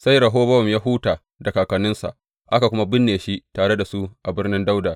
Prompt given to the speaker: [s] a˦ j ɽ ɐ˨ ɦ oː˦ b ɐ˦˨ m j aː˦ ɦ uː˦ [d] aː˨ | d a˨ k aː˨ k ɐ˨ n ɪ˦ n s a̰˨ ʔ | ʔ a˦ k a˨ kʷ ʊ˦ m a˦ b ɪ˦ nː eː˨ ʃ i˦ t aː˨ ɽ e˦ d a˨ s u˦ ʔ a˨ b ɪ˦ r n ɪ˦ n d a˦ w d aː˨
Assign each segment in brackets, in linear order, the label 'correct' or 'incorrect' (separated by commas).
correct, incorrect